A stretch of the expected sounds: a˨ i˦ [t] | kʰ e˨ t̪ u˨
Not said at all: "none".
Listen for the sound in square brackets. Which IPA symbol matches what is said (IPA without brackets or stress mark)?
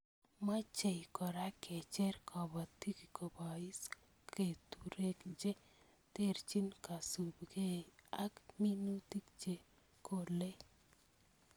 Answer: s